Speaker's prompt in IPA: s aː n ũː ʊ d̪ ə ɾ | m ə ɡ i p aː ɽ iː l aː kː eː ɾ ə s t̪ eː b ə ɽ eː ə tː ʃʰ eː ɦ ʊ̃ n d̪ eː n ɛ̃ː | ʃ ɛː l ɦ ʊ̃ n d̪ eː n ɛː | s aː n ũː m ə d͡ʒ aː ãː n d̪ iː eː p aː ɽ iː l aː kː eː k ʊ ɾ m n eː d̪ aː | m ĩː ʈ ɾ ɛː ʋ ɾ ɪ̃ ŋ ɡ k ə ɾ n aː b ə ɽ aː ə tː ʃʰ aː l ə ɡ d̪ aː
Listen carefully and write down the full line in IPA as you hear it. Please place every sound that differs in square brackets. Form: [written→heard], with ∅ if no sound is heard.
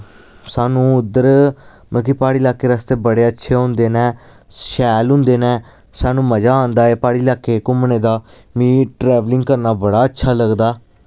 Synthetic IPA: s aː n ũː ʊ d̪ ə ɾ | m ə [ɡ→k] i p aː ɽ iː l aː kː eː ɾ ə s t̪ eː b ə ɽ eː ə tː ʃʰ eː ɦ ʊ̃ n d̪ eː n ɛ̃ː | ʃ ɛː l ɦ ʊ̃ n d̪ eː n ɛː | s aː n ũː m ə d͡ʒ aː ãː n d̪ [iː→aː] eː p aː ɽ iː l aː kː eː k ʊ [ɾ→∅] m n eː d̪ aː | m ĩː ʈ ɾ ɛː ʋ [ɾ→l] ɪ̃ ŋ ɡ k ə ɾ n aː b ə ɽ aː ə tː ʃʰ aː l ə ɡ d̪ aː

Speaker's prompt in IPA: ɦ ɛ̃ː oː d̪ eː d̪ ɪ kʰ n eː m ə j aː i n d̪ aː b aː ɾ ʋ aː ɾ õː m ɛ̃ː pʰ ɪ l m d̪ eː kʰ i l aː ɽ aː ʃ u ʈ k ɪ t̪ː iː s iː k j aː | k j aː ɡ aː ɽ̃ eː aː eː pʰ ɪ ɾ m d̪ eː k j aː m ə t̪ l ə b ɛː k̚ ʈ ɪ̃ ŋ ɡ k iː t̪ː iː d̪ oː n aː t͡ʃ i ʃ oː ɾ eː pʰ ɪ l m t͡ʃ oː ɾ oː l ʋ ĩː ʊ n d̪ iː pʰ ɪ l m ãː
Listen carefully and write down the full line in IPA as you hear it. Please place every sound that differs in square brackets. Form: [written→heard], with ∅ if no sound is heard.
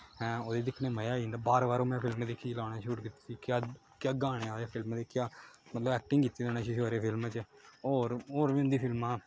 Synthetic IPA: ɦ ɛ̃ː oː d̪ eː d̪ ɪ kʰ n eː m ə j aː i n d̪ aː b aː ɾ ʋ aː ɾ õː m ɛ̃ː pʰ ɪ l m d̪ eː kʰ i l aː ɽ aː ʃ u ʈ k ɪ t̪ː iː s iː k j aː | k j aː ɡ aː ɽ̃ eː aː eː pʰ ɪ [ɾ→l] m d̪ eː k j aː m ə t̪ l ə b ɛː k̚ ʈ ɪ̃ ŋ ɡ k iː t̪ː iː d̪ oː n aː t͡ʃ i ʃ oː ɾ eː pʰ ɪ l m t͡ʃ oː ɾ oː [l→ɾ] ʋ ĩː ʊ n d̪ iː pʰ ɪ l m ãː

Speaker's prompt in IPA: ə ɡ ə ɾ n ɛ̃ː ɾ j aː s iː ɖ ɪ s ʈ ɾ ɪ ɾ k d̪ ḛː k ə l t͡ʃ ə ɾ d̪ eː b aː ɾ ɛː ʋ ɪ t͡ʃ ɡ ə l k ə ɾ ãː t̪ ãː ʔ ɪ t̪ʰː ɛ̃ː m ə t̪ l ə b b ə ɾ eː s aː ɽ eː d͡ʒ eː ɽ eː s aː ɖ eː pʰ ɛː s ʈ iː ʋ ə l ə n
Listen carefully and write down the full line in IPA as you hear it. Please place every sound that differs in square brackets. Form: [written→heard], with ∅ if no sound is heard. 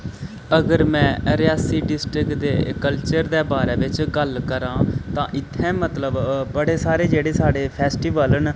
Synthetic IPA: ə ɡ ə ɾ [n→m] ɛ̃ː ɾ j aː s iː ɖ ɪ s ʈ ɾ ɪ [ɾ→∅] k d̪ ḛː k ə l t͡ʃ ə ɾ d̪ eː b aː ɾ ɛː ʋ ɪ t͡ʃ ɡ ə l k ə ɾ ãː t̪ ãː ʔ ɪ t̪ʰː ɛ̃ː m ə t̪ l ə b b ə [ɾ→ɽ] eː s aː [ɽ→ɾ] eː d͡ʒ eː ɽ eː s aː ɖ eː pʰ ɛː s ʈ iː ʋ ə l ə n

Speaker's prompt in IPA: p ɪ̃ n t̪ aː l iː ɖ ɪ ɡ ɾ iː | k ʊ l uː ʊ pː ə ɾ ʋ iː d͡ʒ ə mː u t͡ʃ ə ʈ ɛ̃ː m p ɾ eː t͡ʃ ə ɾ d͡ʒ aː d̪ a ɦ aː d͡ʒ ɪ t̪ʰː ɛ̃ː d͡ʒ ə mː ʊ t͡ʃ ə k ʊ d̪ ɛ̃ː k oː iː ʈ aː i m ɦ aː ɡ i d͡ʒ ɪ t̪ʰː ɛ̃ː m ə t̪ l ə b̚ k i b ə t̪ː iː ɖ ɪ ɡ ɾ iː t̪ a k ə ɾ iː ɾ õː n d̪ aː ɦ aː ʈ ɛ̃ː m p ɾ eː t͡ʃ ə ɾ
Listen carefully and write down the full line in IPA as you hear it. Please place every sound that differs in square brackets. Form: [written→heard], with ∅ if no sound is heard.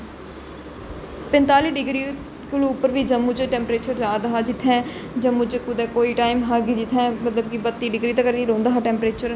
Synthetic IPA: p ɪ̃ n t̪ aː l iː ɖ ɪ ɡ ɾ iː | k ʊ l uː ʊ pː ə ɾ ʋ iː d͡ʒ ə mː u t͡ʃ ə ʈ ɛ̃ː m p ɾ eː t͡ʃ ə ɾ d͡ʒ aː d̪ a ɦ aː d͡ʒ ɪ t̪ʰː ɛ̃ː d͡ʒ ə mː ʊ t͡ʃ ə k ʊ d̪ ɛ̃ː k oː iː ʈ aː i m ɦ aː ɡ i d͡ʒ ɪ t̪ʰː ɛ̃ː m ə t̪ l ə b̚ k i b ə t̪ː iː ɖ ɪ ɡ ɾ iː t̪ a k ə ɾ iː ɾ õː n d̪ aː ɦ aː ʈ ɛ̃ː m p ɾ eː t͡ʃ ə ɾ

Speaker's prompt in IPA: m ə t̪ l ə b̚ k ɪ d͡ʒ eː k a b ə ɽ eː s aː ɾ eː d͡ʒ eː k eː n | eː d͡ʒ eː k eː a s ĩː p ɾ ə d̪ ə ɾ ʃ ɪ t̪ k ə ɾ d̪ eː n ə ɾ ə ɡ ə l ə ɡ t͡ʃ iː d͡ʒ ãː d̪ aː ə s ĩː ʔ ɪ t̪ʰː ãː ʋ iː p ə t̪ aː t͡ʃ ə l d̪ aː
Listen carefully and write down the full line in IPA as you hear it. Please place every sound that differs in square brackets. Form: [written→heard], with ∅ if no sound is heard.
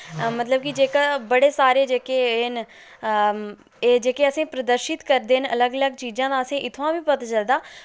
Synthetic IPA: m ə t̪ l ə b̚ k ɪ d͡ʒ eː k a b ə ɽ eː s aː ɾ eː d͡ʒ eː k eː n | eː d͡ʒ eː k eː [a→ə] s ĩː p ɾ ə d̪ ə ɾ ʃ ɪ t̪ k ə ɾ d̪ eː n ə [ɾ→l] ə ɡ ə l ə ɡ t͡ʃ iː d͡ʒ ãː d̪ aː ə s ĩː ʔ ɪ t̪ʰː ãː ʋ iː p ə t̪ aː t͡ʃ ə l d̪ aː

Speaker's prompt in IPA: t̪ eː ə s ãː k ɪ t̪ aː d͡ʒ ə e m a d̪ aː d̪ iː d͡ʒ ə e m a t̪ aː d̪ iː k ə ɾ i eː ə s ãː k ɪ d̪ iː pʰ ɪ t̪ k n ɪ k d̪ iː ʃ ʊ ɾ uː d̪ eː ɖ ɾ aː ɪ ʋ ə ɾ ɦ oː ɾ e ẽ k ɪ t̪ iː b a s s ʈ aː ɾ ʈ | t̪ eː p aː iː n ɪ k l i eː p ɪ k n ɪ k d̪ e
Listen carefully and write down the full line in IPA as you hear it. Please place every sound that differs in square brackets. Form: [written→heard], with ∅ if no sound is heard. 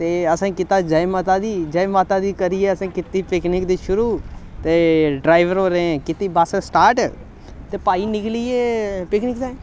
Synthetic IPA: t̪ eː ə s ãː k ɪ t̪ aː d͡ʒ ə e m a [d̪→t̪] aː d̪ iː d͡ʒ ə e m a t̪ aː d̪ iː k ə ɾ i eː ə s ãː k ɪ [d̪→t̪] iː [pʰ→p] ɪ [t̪→∅] k n ɪ k d̪ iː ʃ ʊ ɾ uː [d̪→t̪] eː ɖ ɾ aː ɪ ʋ ə ɾ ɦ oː ɾ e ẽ k ɪ t̪ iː b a s s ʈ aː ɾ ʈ | t̪ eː p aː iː n ɪ k l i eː p ɪ k n ɪ k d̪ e

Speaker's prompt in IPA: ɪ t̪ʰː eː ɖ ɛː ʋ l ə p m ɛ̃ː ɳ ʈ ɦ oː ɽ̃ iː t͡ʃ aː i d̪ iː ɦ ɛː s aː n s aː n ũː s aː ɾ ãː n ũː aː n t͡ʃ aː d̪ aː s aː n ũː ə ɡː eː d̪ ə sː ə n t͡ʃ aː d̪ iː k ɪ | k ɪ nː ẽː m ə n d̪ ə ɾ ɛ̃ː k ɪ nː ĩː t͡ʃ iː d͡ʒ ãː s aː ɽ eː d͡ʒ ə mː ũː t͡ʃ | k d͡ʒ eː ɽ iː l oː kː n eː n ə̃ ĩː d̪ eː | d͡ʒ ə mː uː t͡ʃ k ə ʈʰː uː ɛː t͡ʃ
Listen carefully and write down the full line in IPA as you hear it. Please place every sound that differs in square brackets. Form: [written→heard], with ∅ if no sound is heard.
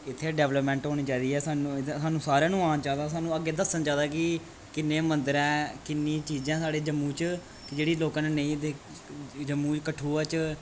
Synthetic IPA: ɪ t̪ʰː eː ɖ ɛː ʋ l ə p m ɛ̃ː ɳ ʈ ɦ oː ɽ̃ iː t͡ʃ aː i d̪ iː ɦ ɛː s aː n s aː n ũː s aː ɾ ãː n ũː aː n t͡ʃ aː d̪ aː s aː n ũː ə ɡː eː d̪ ə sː ə n t͡ʃ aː d̪ [iː→aː] k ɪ | k ɪ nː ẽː m ə n d̪ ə ɾ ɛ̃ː k ɪ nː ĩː t͡ʃ iː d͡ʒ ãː s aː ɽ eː d͡ʒ ə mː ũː t͡ʃ | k d͡ʒ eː ɽ iː l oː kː n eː n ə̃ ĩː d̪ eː | d͡ʒ ə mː uː t͡ʃ k ə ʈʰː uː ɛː t͡ʃ

